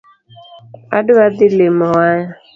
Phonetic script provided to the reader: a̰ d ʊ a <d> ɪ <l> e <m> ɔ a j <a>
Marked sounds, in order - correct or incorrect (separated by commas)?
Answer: correct, correct, correct, correct